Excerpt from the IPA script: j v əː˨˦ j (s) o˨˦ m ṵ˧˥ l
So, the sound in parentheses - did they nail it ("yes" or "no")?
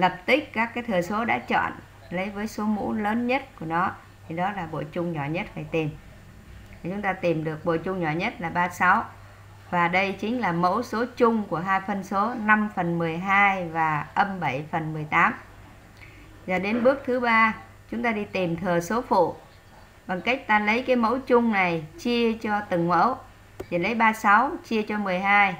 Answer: yes